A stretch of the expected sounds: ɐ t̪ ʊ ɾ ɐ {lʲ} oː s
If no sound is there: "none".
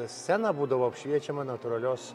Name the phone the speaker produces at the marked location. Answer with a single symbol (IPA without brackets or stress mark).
lʲ